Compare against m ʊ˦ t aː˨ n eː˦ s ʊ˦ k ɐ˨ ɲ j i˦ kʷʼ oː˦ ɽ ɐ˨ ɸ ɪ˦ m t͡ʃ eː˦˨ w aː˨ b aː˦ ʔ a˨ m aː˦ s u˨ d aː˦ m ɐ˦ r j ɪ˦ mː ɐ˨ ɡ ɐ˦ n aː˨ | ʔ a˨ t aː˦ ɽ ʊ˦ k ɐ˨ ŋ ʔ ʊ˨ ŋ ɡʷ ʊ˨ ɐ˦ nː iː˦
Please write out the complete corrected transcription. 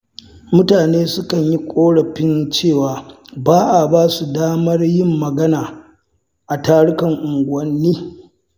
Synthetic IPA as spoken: m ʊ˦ t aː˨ n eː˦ s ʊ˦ k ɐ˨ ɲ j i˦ kʷʼ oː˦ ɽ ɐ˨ ɸ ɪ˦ n t͡ʃ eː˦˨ w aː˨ b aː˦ ʔ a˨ b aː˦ s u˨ d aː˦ m ɐ˦ r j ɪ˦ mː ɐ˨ ɡ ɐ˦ n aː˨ | ʔ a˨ t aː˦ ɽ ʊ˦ k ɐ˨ ŋ ʔ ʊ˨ ŋ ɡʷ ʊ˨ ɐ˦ nː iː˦